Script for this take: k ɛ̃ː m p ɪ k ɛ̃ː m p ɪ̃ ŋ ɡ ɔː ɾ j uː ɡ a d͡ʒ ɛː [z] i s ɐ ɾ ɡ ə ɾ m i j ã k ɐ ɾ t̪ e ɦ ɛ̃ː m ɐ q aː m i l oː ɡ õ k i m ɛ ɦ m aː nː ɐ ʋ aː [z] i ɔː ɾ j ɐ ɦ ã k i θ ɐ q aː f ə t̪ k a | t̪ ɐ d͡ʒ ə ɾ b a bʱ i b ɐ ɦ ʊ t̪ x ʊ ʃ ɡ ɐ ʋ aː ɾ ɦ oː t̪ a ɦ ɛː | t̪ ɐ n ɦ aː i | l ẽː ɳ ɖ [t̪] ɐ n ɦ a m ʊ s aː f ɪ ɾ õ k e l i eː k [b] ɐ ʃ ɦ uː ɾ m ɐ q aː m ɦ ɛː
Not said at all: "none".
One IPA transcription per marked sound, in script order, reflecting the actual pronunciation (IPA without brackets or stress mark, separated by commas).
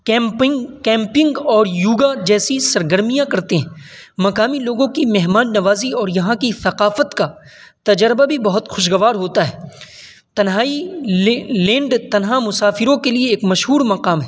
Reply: s, z, t̪, m